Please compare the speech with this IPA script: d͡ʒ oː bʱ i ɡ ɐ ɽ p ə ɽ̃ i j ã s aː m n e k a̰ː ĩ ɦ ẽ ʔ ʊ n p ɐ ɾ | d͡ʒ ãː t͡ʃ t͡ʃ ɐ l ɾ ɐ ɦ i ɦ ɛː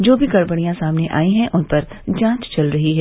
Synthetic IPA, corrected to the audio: d͡ʒ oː bʱ i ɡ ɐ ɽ b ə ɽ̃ i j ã s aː m n e ʔ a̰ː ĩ ɦ ɛ̃ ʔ ʊ n p ɐ ɾ | d͡ʒ ãː t͡ʃ t͡ʃ ɐ l ɾ ɐ ɦ i ɦ ɛː